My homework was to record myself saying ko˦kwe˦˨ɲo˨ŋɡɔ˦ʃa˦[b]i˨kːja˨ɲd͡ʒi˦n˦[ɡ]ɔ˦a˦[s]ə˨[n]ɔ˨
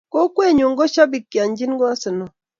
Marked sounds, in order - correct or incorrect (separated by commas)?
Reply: correct, correct, correct, correct